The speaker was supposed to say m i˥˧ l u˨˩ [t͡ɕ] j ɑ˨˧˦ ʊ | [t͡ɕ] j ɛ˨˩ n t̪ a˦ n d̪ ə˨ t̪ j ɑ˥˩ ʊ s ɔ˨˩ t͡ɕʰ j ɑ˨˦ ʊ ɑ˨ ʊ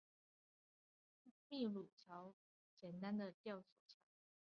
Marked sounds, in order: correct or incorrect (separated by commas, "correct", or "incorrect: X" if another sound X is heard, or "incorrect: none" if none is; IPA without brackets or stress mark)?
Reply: incorrect: t͡ɕʰ, correct